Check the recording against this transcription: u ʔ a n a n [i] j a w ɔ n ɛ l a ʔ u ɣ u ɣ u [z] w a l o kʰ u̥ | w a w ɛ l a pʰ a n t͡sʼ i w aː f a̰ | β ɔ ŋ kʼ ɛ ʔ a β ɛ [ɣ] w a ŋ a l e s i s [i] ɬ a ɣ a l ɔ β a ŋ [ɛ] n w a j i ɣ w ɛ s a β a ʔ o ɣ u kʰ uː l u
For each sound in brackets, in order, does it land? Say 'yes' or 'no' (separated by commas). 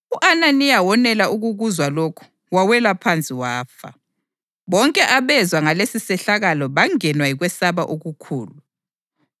yes, yes, no, no, yes